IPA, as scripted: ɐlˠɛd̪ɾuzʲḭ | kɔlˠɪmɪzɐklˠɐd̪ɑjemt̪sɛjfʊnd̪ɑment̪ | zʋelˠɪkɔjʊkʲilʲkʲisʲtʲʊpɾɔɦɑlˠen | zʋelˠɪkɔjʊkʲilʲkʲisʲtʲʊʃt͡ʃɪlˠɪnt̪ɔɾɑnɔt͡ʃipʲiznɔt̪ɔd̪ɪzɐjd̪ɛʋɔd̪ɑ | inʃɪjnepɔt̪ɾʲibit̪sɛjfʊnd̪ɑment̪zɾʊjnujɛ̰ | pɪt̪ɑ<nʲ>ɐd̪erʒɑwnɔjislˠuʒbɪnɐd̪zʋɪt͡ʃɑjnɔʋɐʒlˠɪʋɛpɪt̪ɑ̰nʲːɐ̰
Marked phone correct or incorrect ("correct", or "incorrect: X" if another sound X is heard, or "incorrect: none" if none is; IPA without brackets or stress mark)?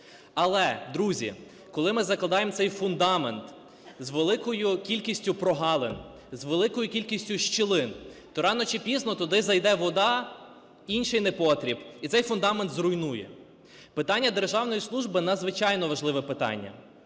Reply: incorrect: nʲː